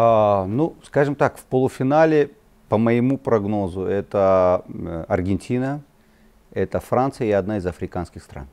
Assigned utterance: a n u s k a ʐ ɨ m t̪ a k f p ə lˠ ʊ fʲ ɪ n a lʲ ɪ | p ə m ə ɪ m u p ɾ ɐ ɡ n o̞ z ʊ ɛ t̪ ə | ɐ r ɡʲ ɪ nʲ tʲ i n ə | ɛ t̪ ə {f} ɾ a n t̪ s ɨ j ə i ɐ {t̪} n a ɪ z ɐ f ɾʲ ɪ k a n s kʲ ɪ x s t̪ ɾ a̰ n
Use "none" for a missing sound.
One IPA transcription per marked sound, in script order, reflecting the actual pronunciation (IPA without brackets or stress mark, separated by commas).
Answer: f, d̪